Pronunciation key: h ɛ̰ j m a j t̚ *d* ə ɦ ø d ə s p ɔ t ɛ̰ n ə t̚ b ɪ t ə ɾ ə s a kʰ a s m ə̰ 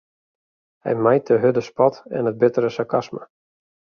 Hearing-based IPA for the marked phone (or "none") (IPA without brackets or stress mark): d